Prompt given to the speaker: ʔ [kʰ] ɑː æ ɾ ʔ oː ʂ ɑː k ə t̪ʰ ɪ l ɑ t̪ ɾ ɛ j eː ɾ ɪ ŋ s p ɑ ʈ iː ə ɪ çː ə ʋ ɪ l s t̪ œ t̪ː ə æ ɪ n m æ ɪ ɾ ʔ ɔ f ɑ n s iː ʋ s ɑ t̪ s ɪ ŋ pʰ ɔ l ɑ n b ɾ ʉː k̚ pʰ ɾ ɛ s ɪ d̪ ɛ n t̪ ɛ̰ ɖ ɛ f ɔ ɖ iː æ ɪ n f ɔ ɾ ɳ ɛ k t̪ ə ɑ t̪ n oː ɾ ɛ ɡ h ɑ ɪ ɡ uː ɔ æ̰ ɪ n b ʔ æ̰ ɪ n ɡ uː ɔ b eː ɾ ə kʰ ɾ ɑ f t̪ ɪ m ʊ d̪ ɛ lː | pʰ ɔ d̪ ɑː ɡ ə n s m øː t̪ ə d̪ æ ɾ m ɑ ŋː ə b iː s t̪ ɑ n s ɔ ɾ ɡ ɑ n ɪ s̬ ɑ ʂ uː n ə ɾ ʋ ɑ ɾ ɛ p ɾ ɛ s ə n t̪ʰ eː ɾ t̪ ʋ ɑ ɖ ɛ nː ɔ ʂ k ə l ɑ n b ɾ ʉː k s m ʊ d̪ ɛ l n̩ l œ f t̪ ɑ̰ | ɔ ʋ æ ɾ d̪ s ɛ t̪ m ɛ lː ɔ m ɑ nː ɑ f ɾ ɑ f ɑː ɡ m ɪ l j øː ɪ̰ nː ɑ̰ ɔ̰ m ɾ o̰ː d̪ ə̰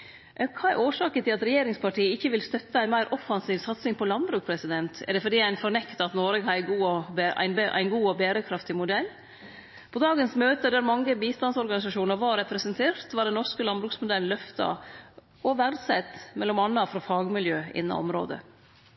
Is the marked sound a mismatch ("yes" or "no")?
no